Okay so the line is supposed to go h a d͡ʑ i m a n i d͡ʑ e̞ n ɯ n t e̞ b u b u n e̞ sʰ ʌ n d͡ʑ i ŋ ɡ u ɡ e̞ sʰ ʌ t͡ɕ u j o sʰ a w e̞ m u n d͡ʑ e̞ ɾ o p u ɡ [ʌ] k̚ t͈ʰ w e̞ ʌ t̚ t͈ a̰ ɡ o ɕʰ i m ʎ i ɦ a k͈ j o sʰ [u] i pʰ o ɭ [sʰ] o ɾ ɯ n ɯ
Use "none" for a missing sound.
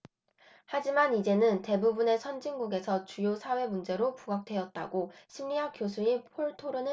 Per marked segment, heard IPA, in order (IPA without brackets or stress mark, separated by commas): a, u, tʰ